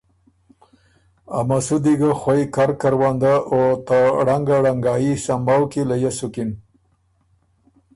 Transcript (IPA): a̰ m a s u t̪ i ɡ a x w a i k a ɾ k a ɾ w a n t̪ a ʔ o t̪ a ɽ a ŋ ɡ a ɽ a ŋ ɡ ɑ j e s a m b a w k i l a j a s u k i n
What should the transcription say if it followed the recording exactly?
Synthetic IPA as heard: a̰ m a s u d̪ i ɡ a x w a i k a ɾ k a ɾ w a n d̪ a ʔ o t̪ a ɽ a ŋ ɡ a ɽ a ŋ ɡ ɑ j i s a m b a w k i l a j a s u k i n